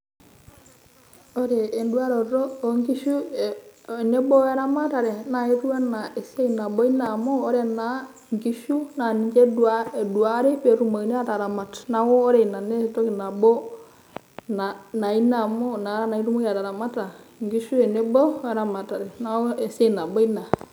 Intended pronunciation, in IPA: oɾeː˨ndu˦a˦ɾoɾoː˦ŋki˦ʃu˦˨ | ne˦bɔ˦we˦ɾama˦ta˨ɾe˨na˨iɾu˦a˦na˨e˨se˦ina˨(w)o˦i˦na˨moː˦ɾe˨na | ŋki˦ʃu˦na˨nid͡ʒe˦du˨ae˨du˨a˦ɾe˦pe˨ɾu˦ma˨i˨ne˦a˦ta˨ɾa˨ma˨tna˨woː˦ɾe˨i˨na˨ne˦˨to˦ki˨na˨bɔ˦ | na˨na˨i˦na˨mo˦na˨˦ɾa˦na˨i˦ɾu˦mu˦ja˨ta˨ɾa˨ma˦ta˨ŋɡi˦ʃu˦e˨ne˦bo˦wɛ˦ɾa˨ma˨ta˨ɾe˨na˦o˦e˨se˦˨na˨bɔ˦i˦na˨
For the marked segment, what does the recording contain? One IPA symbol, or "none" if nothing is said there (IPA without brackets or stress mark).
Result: b